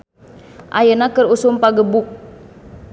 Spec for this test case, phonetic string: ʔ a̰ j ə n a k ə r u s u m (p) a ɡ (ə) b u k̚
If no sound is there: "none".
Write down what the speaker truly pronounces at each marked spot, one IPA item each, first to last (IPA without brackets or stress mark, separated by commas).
p, ə